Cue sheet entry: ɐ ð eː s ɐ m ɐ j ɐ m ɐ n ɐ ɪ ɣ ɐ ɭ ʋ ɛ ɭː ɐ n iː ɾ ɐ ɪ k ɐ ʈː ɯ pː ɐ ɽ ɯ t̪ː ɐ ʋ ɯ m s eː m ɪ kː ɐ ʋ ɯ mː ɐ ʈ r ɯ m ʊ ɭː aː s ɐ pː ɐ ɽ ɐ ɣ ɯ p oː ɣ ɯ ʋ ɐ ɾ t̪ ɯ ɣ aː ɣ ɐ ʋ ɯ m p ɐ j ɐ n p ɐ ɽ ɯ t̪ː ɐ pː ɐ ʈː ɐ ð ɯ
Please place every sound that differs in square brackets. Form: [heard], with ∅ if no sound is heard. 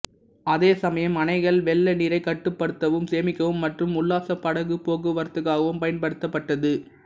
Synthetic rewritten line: ɐ ð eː s ɐ m ɐ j ɐ m ɐ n ɐ ɪ ɣ ɐ ɭ ʋ ɛ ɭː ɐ n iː ɾ ɐ ɪ k ɐ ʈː ɯ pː ɐ ɽ ɯ t̪ː ɐ ʋ ɯ m s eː m ɪ kː ɐ ʋ ɯ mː ɐ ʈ r ɯ m ʊ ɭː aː s ɐ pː ɐ ɽ ɐ ɣ ɯ p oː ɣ ɯ ʋ ɐ ɾ t̪ ɯ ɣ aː ɣ ɐ ʋ ɯ m p ɐ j ɐ n p ɐ ɽ ɯ t̪ː ɐ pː ɐ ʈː ɐ ð ɯ